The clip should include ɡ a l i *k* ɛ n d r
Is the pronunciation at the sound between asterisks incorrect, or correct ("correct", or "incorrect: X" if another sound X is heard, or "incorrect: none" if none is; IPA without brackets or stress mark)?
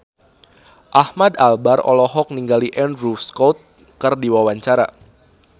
incorrect: ʔ